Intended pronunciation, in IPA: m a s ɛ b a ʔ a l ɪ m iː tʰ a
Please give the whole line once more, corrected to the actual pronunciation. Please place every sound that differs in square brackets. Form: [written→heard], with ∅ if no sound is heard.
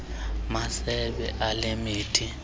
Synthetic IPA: m a s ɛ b [a→ɛ] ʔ a l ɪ m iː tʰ [a→i]